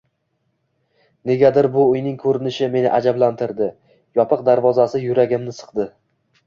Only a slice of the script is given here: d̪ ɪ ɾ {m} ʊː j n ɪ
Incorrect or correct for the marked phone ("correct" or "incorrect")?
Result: incorrect